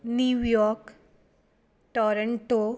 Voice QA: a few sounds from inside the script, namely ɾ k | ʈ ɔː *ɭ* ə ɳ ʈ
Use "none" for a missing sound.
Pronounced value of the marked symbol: ɾ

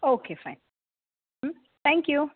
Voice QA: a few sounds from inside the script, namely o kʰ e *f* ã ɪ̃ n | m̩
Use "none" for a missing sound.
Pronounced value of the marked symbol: f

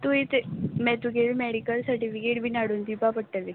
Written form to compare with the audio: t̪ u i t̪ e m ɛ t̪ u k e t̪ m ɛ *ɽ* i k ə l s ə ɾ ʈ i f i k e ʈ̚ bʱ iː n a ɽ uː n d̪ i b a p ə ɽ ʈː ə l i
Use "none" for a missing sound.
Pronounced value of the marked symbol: ɽ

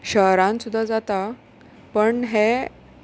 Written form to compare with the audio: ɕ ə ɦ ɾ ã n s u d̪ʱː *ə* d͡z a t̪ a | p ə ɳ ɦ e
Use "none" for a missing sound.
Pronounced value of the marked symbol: a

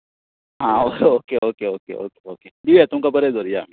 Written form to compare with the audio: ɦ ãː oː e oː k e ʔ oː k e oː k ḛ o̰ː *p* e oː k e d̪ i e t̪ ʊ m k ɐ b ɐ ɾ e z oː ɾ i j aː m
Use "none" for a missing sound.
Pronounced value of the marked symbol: k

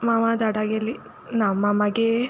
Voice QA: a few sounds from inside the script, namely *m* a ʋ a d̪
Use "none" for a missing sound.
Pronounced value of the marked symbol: m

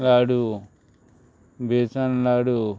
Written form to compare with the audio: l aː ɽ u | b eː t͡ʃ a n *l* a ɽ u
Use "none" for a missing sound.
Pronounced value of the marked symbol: l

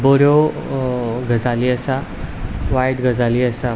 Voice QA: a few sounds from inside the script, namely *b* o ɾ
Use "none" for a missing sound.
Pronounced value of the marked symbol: b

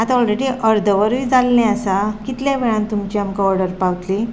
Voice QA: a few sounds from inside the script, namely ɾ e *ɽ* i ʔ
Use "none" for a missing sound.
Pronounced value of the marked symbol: ɽ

